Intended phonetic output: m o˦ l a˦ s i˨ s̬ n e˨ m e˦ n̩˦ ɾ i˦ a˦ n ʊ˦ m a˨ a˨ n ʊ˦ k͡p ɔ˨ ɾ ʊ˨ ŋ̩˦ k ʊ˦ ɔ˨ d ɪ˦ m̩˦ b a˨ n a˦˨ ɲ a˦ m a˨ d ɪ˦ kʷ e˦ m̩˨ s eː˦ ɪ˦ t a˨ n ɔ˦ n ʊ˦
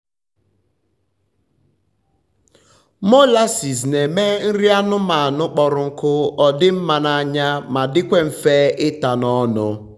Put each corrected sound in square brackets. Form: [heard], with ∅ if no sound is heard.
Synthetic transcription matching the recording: m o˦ l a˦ s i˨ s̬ n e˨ m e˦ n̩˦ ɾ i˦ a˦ n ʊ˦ m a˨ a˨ n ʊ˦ k͡p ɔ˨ ɾ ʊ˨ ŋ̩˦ k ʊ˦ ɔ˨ d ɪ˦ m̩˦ [m] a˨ n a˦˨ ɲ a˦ m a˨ d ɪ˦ kʷ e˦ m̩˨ [f] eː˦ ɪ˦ t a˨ n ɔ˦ n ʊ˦